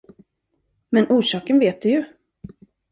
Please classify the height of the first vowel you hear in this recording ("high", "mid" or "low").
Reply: mid